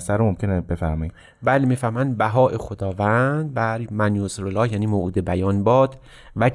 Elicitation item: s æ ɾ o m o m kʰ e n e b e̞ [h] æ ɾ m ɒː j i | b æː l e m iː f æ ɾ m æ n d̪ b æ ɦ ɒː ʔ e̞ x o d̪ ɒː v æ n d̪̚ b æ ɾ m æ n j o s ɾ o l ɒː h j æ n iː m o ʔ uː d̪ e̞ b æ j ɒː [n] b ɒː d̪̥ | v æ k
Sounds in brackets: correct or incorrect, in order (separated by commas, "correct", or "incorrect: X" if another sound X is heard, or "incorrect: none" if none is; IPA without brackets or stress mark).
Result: incorrect: f, correct